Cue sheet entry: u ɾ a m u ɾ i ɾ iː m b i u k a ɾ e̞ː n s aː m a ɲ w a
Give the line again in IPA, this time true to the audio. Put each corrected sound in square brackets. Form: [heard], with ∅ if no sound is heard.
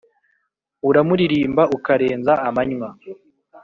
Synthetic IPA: u ɾ a m u ɾ i ɾ iː m b [a] u k a ɾ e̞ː n [z] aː m a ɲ w a